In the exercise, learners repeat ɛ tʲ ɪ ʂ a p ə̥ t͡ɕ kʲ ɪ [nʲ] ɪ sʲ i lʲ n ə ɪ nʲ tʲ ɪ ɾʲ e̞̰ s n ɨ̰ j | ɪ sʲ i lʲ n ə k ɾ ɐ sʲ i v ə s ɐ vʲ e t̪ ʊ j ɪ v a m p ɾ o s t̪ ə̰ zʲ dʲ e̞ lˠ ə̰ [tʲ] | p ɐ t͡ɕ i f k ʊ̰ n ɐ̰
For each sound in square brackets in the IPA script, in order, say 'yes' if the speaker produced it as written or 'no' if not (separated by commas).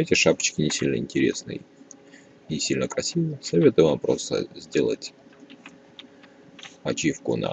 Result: yes, yes